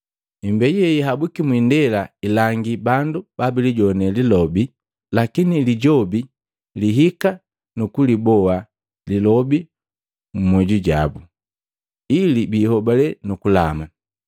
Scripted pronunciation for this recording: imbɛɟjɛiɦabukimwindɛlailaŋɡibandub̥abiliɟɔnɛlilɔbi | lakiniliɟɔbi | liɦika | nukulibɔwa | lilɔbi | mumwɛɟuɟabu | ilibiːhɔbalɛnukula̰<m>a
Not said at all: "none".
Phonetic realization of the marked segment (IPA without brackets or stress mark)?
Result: m